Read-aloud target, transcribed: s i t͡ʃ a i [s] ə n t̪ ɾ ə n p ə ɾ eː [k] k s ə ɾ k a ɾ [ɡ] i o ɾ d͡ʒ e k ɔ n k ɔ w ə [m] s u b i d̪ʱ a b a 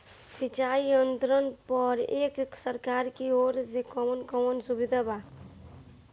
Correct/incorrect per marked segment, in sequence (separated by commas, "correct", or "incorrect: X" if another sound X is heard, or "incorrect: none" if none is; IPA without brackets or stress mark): incorrect: none, correct, incorrect: k, incorrect: n